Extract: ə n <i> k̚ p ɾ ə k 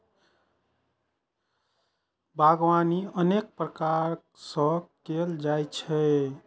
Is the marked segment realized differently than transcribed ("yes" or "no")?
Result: yes